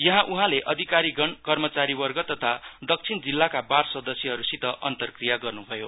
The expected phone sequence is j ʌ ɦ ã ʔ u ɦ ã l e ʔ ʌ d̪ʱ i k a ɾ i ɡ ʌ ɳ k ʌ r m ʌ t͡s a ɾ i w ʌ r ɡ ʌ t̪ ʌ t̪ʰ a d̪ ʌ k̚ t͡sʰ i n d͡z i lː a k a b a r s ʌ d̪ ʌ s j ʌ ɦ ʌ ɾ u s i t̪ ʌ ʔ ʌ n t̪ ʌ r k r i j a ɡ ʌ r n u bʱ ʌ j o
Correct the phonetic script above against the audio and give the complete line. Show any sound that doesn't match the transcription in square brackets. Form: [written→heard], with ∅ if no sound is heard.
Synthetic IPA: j ʌ ɦ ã ʔ u ɦ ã l e ʔ ʌ d̪ʱ i k a ɾ i ɡ ʌ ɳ k ʌ r m ʌ t͡s a ɾ i w ʌ r ɡ ʌ t̪ ʌ t̪ʰ a d̪ ʌ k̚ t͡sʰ i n d͡z i lː a k a b a r s ʌ d̪ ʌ s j ʌ ɦ ʌ ɾ u s i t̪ ʌ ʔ ʌ n t̪ ʌ r k r i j a ɡ ʌ r n u bʱ ʌ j o